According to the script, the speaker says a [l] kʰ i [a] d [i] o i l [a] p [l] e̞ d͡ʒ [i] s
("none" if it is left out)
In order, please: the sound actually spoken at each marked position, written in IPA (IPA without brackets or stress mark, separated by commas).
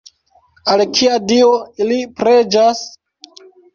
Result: l, a, i, i, ɾ, a